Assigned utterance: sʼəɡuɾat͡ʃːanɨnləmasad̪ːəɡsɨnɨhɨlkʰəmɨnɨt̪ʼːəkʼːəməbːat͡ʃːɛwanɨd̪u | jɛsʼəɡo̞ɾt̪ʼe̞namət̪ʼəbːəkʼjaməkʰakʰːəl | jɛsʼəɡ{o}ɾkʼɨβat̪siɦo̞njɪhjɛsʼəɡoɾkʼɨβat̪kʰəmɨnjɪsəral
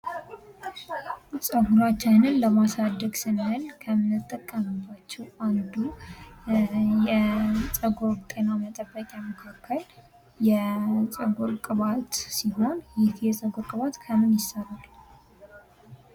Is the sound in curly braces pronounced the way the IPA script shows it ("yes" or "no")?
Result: yes